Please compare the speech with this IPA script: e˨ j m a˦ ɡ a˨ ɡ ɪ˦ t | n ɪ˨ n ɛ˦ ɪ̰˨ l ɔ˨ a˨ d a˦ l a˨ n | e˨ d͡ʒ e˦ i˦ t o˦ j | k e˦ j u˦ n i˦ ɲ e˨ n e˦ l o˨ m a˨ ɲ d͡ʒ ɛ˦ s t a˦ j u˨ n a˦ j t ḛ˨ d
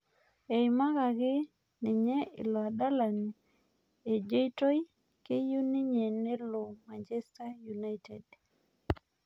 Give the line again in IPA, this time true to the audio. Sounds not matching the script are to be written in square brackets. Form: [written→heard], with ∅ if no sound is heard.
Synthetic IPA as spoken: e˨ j m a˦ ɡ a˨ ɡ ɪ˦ [t→∅] | n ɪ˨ [n→ɲ] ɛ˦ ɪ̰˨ l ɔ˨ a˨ d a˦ l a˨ n | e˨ d͡ʒ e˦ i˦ t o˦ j | k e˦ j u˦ n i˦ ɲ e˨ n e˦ l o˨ m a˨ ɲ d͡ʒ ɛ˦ s t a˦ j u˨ n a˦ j t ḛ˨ d